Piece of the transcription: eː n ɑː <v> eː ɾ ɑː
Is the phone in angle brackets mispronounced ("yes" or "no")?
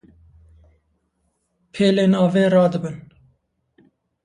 no